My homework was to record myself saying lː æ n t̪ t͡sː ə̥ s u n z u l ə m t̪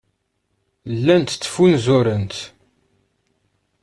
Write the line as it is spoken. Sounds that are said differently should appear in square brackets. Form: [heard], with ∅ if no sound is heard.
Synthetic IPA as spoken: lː æ n t̪ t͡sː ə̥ [f] u n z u [ɾ] ə [n] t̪